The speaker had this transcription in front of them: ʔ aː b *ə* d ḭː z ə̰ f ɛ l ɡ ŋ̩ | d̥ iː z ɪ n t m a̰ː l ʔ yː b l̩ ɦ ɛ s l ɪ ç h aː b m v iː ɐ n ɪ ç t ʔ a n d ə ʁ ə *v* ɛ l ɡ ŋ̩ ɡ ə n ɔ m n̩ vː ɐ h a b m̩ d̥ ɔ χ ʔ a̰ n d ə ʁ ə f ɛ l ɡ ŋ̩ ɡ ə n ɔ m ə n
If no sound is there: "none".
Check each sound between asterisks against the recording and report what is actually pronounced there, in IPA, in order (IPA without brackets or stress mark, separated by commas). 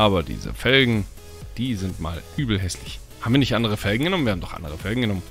ɐ, f